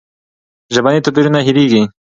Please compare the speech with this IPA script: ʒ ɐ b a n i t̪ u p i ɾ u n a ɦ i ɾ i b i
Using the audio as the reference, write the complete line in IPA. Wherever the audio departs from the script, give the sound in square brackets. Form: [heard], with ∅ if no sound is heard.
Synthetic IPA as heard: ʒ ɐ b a n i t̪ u p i ɾ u n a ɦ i ɾ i [ɡ] i